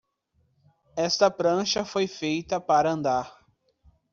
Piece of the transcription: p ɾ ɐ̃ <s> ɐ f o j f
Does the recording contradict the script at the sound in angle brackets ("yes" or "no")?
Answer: yes